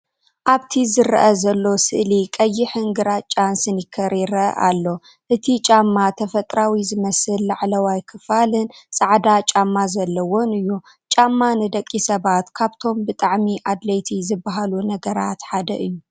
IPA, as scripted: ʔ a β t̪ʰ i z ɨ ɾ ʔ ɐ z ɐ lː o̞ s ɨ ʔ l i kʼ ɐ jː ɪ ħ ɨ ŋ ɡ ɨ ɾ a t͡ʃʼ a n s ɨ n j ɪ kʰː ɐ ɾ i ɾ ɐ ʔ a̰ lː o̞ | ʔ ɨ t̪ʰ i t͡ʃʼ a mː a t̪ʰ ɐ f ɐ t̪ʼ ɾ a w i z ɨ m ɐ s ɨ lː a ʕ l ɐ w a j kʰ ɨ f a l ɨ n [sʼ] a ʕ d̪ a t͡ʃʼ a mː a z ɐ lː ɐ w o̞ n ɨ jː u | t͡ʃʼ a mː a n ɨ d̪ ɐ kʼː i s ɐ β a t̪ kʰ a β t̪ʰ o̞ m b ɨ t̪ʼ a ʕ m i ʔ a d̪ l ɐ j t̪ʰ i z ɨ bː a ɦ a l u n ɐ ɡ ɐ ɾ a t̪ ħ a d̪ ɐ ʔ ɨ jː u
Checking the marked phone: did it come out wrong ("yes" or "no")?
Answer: no